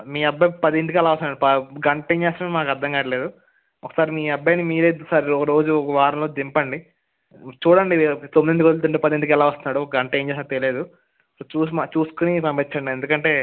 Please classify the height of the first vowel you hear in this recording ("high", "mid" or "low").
high